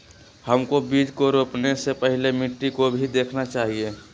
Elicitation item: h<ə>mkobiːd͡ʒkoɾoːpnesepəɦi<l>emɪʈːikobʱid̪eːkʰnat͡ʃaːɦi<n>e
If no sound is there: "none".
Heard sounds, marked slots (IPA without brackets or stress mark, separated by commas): ə, l, none